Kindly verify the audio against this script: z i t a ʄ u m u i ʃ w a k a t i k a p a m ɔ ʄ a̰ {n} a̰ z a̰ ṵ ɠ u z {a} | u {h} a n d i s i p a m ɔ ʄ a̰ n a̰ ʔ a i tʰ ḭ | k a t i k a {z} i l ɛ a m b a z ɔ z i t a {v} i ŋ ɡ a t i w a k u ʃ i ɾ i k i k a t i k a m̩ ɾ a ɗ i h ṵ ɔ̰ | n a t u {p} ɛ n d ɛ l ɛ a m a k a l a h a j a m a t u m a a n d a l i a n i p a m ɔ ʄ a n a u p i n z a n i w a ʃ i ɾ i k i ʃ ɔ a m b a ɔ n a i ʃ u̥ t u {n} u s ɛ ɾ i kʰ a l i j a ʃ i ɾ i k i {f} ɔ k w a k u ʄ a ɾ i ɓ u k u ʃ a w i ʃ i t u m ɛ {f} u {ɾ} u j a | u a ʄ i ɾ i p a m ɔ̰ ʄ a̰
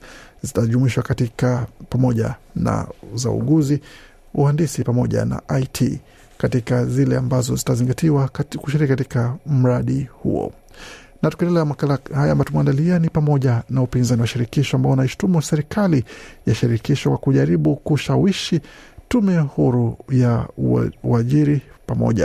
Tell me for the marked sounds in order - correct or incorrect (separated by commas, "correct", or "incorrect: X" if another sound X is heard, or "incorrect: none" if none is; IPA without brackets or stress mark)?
correct, incorrect: i, correct, correct, incorrect: z, incorrect: k, incorrect: m, incorrect: ʃ, incorrect: h, correct